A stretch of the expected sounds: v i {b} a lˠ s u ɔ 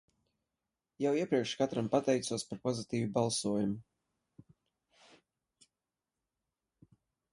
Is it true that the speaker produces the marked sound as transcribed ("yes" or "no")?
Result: yes